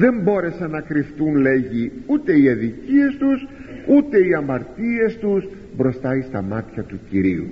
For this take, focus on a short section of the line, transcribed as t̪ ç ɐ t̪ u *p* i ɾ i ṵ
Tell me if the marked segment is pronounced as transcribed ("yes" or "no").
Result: no